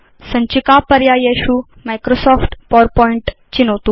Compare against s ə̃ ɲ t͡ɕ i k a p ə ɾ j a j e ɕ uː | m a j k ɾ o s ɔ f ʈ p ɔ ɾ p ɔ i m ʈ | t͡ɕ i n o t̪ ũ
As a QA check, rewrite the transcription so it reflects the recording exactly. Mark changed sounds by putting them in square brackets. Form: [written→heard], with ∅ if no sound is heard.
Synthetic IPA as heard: s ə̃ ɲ t͡ɕ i k a p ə ɾ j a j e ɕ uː | m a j k ɾ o s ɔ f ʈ p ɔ ɾ p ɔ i [m→ɳ] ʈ | t͡ɕ i n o t̪ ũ